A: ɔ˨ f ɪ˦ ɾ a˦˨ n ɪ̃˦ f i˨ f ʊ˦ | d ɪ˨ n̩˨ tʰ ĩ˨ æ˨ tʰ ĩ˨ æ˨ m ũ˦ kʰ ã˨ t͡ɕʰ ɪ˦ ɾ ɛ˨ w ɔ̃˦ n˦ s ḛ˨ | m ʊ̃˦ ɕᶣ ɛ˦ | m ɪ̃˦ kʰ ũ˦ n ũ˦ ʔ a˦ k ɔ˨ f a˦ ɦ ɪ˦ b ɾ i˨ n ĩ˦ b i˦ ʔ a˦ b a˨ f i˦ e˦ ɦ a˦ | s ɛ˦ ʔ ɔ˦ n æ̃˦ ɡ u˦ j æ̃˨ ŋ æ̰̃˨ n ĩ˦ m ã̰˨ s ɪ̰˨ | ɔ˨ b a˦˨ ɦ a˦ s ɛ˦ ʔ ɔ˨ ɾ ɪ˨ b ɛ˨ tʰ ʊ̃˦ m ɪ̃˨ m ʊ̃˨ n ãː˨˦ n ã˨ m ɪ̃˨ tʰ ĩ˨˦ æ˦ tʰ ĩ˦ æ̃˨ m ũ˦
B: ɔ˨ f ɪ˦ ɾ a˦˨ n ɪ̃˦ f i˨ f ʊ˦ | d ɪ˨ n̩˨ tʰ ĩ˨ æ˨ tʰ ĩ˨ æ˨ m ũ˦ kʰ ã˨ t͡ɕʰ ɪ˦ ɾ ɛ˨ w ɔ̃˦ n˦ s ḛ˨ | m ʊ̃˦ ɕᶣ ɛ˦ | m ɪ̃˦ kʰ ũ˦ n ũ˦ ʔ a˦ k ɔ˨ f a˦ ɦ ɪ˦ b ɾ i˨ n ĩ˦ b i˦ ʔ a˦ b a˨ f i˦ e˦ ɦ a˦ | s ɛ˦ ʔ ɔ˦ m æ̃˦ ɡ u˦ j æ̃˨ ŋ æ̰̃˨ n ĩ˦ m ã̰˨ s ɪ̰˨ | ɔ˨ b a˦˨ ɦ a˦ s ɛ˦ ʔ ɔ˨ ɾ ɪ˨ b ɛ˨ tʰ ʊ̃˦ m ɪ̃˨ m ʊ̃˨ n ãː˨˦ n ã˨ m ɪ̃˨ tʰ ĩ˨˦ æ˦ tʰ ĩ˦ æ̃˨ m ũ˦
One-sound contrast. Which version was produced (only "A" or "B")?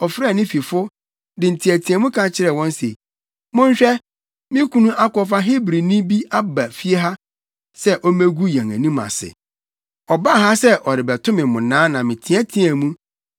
B